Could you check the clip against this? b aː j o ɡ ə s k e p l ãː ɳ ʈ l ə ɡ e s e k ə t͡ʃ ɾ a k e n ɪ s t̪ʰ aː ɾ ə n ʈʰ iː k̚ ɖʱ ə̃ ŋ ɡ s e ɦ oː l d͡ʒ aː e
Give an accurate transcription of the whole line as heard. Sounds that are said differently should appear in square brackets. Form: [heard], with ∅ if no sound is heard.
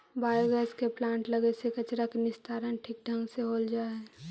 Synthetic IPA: b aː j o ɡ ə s k e p l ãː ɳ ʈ l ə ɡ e s e k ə t͡ʃ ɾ a k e n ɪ s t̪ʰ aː ɾ ə n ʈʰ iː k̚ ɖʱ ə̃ ŋ ɡ s e ɦ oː l d͡ʒ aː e